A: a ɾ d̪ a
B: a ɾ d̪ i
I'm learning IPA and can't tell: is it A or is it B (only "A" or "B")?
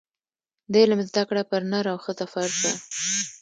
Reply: A